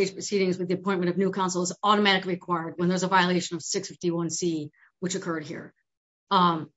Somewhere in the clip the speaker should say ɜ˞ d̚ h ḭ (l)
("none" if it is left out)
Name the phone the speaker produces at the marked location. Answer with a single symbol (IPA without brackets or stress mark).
ɹ